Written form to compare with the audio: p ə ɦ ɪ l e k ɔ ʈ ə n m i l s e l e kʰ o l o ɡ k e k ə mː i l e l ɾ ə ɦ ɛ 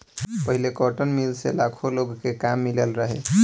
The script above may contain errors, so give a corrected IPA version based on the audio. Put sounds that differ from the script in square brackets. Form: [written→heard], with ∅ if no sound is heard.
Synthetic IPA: p ə ɦ [ɪ→i] l e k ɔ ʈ ə n m i l s e l [e→a] kʰ o l o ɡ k e k [ə→a] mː i l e l ɾ ə ɦ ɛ

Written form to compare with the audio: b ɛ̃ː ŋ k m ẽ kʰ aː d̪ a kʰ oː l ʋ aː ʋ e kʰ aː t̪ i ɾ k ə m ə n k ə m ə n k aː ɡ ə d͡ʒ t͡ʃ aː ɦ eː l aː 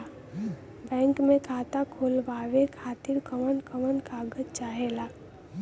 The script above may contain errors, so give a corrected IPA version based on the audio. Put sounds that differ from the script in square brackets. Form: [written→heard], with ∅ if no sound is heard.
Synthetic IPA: b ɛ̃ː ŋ k m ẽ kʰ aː [d̪→t̪] a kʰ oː l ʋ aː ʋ e kʰ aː t̪ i ɾ k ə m ə n k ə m ə n k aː ɡ ə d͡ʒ t͡ʃ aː ɦ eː l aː

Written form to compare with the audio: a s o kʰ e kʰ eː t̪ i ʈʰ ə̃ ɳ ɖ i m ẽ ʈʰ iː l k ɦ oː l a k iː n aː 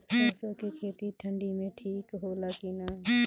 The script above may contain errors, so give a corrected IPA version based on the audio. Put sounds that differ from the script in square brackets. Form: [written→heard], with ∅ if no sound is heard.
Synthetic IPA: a s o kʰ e kʰ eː t̪ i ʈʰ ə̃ ɳ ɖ i m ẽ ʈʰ iː [l→∅] k ɦ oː l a k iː n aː

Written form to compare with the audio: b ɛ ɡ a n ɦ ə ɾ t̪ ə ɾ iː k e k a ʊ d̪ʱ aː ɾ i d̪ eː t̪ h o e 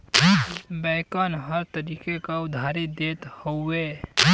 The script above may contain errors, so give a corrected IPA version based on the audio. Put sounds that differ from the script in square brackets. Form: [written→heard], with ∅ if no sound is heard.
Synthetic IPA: b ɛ [ɡ→k] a n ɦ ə ɾ t̪ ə ɾ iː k e k a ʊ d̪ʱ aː ɾ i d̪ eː t̪ h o e

